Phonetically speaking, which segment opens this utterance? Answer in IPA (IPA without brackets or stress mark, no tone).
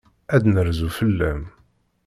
æ